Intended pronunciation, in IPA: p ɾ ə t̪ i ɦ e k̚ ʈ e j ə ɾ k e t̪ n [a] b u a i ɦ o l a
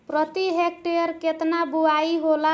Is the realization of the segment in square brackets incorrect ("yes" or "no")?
no